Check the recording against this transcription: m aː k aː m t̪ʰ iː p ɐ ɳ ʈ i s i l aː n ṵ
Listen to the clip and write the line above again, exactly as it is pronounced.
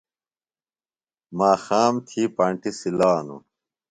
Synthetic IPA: m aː x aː m t̪ʰ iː p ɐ ɳ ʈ i s i l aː n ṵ